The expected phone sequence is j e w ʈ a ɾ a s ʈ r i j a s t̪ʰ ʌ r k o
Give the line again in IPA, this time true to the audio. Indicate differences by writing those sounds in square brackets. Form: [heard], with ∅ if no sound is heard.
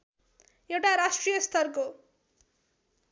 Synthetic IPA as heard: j e w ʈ a ɾ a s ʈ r i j [ʌ] s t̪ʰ ʌ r k o